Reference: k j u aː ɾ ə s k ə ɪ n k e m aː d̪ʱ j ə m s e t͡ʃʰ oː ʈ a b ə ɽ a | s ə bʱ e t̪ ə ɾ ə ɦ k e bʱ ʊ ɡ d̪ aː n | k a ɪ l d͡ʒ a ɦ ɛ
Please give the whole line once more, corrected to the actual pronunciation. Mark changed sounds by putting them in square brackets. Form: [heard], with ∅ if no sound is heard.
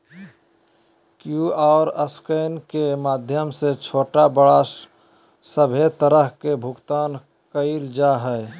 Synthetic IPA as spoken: k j u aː ɾ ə s k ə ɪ n k e m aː d̪ʱ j ə m s e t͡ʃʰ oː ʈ a b ə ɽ a | s ə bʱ e t̪ ə ɾ ə ɦ k e bʱ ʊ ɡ [t̪] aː n | k [ə] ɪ l d͡ʒ a ɦ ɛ

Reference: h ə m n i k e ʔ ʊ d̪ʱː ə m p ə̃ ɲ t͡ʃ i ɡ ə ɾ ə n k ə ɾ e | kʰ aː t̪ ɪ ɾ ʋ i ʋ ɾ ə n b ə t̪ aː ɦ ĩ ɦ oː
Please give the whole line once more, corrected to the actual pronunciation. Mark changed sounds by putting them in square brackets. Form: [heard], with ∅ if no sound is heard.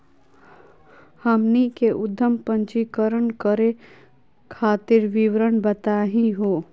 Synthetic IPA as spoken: h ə m n i k e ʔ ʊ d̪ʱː ə m p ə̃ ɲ t͡ʃ i [k] ə ɾ ə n k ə ɾ e | kʰ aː t̪ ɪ ɾ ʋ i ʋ ɾ ə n b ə t̪ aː ɦ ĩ ɦ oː

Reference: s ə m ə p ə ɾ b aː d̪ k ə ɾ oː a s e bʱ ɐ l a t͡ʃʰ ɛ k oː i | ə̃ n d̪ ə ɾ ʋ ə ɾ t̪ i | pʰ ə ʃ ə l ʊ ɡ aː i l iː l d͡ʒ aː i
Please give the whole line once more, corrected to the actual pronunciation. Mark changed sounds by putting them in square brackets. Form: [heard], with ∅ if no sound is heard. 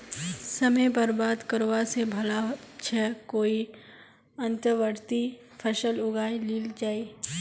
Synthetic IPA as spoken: s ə m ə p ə ɾ b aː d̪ k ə ɾ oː a s e bʱ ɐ l a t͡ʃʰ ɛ k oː i | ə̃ n [t̪] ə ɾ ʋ ə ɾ t̪ i | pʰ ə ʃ ə l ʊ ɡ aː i l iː l d͡ʒ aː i

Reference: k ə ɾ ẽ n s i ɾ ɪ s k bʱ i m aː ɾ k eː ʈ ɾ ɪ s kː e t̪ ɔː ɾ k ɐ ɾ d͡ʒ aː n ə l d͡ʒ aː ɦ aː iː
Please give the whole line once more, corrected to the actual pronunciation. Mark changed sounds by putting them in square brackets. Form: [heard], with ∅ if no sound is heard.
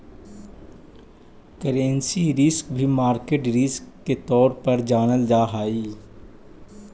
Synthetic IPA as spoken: k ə ɾ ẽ n s i ɾ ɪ s k bʱ i m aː ɾ k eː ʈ ɾ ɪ s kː e t̪ ɔː ɾ [p] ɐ ɾ d͡ʒ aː n ə l d͡ʒ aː ɦ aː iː

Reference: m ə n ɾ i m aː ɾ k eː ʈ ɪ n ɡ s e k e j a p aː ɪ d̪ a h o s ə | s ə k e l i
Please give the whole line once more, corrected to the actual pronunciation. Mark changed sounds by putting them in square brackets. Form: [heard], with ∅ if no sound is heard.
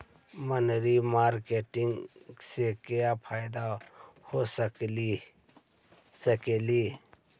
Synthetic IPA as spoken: m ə n ɾ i m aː ɾ k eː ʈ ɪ [ŋ] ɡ s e k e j a [pʰ] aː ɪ d̪ a h o s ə | s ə k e l i

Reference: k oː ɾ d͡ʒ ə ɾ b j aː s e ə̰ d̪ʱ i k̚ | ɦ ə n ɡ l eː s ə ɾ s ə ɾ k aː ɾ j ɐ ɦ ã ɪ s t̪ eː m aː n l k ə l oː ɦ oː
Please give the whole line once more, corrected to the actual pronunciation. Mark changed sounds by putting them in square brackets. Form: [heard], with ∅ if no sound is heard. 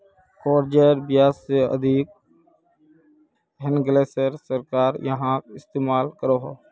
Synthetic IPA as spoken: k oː ɾ d͡ʒ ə ɾ b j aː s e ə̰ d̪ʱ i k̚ | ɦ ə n ɡ l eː s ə ɾ s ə ɾ k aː ɾ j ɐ ɦ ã ɪ s t̪ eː m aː [∅] l k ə [ɾ] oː ɦ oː

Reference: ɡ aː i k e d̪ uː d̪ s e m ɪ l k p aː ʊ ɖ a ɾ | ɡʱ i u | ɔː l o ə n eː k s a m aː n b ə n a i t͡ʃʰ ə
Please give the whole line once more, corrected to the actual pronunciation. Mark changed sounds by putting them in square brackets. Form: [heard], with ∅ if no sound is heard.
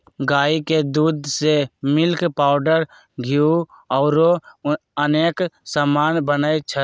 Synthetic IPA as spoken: ɡ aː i k e d̪ uː d̪ s e m ɪ l k p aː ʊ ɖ [ə] ɾ | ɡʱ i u | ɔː [ɾ] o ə n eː k s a m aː n b ə n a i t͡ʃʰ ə

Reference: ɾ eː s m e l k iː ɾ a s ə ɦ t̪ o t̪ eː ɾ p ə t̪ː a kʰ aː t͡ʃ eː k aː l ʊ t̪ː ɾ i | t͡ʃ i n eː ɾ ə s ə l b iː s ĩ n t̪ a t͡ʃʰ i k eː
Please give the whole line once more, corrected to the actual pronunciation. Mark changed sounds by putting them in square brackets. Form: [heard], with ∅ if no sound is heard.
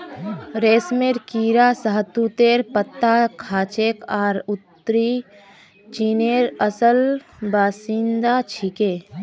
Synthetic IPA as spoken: ɾ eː s m e [ɾ] k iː ɾ a s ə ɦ t̪ [u] t̪ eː ɾ p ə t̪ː a kʰ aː t͡ʃ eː k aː [ɾ] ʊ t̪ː ɾ i | t͡ʃ i n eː ɾ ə s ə l b [aː] s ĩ n [d̪] a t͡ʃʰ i k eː

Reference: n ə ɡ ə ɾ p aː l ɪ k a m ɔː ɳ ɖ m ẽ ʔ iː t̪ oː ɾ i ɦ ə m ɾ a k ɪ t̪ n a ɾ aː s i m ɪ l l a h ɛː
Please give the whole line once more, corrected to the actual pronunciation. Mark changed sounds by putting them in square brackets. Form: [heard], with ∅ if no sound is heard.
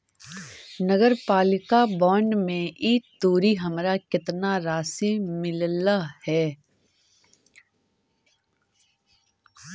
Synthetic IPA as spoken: n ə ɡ ə ɾ p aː l ɪ k a [b] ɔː ɳ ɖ m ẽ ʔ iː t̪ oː ɾ i ɦ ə m ɾ a k ɪ t̪ n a ɾ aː s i m ɪ l l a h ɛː

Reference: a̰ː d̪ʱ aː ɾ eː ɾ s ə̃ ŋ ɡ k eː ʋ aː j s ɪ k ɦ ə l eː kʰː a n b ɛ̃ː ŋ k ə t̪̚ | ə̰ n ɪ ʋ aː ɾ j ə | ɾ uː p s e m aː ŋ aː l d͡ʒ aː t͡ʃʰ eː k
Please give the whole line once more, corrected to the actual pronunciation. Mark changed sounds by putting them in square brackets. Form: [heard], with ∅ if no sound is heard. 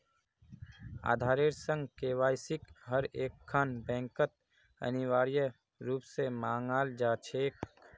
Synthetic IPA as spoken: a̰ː d̪ʱ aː ɾ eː ɾ s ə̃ ŋ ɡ k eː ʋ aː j s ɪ k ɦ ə [ɾ] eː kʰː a n b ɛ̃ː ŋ k ə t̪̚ | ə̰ n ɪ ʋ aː ɾ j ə | ɾ uː p s e m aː ŋ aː l d͡ʒ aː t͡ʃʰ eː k

